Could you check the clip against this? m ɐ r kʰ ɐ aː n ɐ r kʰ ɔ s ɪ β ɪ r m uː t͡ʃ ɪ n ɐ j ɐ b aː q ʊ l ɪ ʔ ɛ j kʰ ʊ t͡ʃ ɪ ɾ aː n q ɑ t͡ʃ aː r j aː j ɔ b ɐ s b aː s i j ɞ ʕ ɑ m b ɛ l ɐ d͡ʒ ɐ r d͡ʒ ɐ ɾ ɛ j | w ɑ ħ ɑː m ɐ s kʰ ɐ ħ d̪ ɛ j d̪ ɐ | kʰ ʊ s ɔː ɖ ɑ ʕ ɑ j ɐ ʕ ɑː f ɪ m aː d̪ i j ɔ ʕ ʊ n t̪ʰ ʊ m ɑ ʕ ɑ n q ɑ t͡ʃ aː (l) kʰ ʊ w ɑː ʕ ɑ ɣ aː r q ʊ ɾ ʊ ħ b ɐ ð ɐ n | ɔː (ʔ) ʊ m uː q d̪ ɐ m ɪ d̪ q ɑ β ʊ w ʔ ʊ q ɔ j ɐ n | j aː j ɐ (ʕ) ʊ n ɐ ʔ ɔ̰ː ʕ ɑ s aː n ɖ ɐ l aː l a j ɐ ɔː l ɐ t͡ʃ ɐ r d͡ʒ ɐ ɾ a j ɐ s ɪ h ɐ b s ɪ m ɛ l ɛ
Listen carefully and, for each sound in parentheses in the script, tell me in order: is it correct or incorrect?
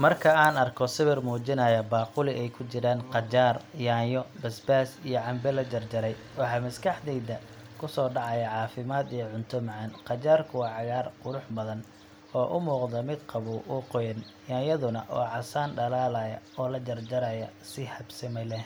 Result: incorrect, correct, incorrect

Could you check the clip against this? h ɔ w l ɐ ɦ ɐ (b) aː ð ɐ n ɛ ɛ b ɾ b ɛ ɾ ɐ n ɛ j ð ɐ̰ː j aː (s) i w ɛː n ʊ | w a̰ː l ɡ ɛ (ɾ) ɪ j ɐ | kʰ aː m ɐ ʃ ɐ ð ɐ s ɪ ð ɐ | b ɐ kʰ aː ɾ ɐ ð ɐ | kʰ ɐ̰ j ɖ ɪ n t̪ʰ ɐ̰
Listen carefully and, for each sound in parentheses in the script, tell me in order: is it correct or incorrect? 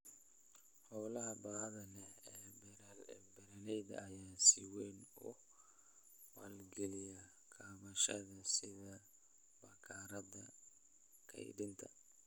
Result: correct, correct, incorrect

